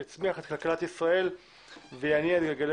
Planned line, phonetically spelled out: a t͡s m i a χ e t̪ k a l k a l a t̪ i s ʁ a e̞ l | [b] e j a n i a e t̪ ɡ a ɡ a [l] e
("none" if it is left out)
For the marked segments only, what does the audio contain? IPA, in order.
v, l

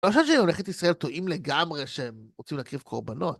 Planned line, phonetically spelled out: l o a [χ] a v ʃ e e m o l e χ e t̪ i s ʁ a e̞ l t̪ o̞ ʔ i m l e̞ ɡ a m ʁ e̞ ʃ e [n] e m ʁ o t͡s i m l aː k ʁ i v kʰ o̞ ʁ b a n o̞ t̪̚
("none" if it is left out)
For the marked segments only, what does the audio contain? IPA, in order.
ʃ, none

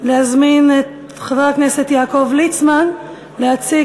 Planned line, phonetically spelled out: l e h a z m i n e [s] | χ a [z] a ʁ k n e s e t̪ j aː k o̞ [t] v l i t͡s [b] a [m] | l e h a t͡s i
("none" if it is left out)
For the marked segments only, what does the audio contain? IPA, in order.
t, v, none, m, n

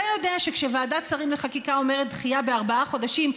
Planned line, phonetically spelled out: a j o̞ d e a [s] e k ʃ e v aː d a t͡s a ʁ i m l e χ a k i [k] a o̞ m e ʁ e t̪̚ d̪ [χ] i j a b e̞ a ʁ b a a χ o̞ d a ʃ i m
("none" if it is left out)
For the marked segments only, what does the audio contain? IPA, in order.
ʃ, k, χ

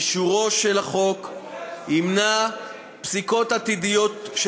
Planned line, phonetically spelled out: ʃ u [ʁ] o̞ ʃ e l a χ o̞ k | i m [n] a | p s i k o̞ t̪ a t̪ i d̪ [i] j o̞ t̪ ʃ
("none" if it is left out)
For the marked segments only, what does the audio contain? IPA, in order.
ʁ, n, i

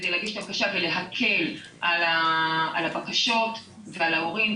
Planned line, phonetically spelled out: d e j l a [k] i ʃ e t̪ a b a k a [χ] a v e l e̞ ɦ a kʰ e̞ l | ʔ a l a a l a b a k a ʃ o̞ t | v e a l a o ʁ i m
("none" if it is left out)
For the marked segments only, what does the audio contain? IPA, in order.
ɡ, ʃ

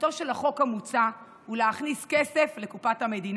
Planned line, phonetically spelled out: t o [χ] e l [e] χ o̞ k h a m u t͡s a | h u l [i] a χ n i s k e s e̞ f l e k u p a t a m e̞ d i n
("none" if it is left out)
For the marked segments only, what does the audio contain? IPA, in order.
ʃ, a, e

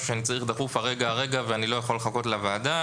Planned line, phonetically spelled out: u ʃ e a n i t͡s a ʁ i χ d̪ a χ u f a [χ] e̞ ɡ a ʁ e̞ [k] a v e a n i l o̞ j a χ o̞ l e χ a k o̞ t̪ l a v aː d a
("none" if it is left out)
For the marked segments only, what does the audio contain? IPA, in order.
ʁ, ɡ

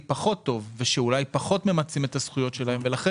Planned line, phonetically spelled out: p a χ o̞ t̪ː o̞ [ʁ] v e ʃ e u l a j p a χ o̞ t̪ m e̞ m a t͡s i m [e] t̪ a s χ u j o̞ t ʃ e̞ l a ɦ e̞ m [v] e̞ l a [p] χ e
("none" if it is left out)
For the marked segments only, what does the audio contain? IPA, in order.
v, e, v, none

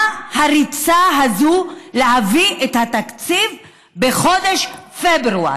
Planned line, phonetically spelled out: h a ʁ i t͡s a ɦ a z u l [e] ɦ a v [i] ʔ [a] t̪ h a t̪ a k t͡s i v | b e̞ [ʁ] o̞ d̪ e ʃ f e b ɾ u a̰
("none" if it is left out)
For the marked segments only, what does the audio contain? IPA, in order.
e, i, e, χ

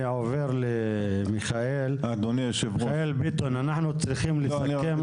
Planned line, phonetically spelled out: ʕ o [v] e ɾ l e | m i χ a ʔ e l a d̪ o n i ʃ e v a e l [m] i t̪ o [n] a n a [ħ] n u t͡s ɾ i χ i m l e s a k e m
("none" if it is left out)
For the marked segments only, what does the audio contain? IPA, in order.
v, b, n, ħ

